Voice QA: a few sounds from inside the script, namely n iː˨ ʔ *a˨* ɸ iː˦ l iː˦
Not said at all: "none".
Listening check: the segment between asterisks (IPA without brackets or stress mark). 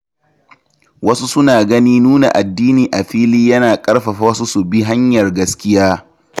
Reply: a˨